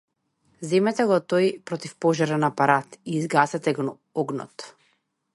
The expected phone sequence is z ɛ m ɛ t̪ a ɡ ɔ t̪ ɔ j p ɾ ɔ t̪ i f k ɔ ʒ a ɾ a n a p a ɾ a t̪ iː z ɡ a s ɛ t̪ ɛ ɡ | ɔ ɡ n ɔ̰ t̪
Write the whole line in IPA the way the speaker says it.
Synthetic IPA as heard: z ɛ m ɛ t̪ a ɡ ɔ t̪ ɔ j p ɾ ɔ t̪ i f p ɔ ʒ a ɾ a n a p a ɾ a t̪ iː z ɡ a s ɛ t̪ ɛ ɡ | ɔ ɡ n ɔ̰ t̪